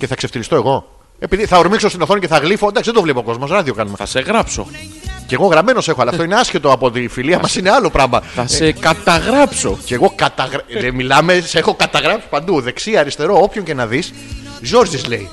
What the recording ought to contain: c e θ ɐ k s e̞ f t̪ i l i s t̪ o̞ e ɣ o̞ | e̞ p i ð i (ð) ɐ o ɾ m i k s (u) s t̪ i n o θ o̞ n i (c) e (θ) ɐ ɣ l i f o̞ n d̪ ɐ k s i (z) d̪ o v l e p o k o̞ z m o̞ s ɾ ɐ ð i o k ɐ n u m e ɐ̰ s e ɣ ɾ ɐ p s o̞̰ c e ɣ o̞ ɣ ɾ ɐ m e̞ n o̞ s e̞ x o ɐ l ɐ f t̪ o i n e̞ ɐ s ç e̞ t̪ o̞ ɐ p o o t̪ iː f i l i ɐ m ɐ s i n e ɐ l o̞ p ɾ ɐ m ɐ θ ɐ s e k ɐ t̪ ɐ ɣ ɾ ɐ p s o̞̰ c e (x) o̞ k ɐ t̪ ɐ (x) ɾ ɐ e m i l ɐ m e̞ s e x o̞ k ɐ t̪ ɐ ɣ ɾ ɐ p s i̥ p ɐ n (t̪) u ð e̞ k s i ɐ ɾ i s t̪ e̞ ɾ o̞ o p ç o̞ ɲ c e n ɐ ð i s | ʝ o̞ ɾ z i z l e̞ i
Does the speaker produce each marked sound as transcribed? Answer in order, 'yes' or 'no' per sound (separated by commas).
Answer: no, no, yes, yes, no, no, no, no